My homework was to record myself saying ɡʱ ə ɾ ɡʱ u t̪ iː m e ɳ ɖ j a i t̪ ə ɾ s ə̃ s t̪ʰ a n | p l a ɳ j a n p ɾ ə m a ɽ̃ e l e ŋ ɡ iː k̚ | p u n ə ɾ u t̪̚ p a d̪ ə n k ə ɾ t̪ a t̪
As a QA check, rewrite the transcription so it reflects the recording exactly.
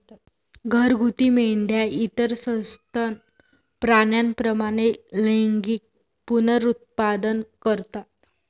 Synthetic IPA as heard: ɡʱ ə ɾ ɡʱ u t̪ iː m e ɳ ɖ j a i t̪ ə ɾ s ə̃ s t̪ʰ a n | p ɾ a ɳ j a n p ɾ ə m a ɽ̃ e l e ŋ ɡ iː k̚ | p u n ə ɾ u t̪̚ p a d̪ ə n k ə ɾ t̪ a t̪